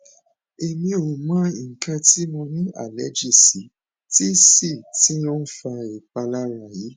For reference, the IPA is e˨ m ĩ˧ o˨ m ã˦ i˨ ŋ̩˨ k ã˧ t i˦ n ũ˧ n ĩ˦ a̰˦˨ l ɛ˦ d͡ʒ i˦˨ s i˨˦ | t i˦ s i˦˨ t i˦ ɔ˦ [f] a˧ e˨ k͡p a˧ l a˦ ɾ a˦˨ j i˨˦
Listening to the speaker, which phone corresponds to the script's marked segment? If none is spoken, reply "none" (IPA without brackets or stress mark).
f